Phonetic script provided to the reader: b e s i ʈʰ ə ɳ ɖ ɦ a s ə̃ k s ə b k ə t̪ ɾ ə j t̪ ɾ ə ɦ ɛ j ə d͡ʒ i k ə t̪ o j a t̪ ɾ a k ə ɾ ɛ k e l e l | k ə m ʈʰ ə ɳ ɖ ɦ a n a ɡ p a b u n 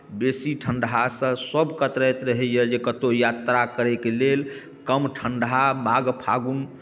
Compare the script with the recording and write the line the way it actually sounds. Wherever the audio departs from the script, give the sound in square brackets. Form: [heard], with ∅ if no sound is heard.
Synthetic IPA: b e s i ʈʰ ə ɳ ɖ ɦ a s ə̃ [∅] s ə b k ə t̪ ɾ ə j t̪ ɾ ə ɦ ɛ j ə d͡ʒ [e] k ə t̪ o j a t̪ ɾ a k ə ɾ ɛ k e l e l | k ə m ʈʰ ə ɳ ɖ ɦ a [m] a ɡ [pʰ] a [ɡ] u n